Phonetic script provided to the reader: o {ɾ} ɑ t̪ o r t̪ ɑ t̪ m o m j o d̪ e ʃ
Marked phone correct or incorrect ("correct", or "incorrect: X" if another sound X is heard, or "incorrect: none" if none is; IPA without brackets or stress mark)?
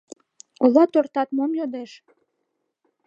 incorrect: l